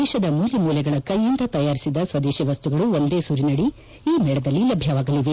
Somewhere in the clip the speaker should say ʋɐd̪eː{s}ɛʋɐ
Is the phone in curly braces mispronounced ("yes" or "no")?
yes